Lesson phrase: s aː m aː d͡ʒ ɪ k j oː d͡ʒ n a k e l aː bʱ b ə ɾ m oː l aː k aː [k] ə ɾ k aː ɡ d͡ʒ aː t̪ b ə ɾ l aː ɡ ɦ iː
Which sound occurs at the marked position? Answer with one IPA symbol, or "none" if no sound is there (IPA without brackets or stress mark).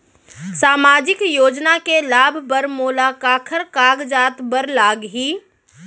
kʰ